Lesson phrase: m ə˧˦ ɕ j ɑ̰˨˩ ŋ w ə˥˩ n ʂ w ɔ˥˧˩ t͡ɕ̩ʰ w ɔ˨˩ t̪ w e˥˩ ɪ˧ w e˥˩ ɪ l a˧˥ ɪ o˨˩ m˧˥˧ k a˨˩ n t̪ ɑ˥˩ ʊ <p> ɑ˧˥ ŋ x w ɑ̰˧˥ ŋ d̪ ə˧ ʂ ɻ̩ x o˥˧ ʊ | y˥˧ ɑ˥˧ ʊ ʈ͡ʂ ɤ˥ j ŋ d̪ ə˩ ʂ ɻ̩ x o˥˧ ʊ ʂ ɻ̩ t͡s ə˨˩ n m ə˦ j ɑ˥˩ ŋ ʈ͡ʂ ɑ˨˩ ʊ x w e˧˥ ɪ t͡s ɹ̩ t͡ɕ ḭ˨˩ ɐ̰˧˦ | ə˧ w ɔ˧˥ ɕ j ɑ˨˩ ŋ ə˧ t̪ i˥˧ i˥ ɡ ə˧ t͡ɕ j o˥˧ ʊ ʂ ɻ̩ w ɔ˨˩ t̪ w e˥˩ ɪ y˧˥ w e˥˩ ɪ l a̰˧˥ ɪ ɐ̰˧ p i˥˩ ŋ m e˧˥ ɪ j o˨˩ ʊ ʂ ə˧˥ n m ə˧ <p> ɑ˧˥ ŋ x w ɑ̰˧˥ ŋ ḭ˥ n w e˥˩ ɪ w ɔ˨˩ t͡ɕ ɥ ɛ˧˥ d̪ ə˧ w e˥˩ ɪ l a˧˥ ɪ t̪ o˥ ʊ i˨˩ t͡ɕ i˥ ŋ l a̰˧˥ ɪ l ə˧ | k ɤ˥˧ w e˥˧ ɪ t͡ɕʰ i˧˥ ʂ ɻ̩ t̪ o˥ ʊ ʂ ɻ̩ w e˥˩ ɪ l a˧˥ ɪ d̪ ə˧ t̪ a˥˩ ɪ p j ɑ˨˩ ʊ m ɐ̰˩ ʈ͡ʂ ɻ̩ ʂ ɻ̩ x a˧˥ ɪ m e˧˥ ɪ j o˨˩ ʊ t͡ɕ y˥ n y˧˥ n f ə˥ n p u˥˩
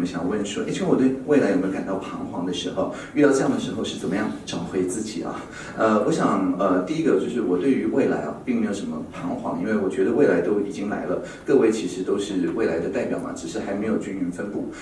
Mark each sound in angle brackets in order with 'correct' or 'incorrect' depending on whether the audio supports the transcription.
incorrect: pʰ, incorrect: pʰ

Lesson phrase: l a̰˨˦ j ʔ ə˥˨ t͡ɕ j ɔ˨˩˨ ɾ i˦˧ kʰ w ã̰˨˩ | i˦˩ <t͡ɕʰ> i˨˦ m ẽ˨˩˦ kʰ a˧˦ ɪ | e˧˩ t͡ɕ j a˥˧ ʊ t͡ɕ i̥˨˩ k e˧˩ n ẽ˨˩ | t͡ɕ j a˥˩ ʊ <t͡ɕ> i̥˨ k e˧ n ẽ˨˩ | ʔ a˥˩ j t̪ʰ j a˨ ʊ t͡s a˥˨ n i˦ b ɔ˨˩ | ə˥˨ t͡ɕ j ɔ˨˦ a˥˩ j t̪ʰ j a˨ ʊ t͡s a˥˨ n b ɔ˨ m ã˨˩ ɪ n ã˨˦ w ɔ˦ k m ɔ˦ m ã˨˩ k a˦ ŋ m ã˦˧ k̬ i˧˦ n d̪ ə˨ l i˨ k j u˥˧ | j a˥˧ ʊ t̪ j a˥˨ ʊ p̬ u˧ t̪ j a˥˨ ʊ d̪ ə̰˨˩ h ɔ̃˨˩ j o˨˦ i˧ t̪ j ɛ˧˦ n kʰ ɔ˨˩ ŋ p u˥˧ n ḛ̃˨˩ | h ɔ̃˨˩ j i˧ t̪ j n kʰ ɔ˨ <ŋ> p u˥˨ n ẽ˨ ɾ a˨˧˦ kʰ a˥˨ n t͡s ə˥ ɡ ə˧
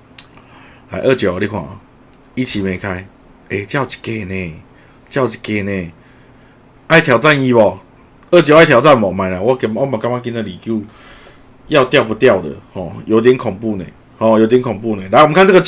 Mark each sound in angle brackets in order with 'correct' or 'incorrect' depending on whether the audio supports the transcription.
correct, correct, correct

